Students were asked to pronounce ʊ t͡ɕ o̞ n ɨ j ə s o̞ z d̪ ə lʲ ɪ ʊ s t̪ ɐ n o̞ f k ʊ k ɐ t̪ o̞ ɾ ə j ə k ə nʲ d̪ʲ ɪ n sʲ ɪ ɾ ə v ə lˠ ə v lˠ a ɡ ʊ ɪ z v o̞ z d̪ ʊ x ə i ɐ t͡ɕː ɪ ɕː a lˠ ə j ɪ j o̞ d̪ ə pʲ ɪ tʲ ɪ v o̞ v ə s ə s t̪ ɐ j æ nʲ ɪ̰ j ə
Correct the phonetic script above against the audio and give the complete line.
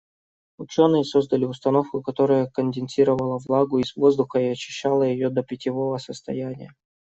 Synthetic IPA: ʊ t͡ɕ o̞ n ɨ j ə s o̞ z d̪ ə lʲ ɪ ʊ s t̪ ɐ n o̞ f k ʊ k ɐ t̪ o̞ ɾ ə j ə k ə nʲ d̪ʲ ɪ n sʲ i ɾ ə v ə lˠ ə v lˠ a ɡ ʊ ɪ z v o̞ z d̪ ʊ x ə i ɐ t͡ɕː ɪ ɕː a lˠ ə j ɪ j o̞ d̪ ə pʲ ɪ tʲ ɪ v o̞ v ə s ə s t̪ ɐ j æ nʲ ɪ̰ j ə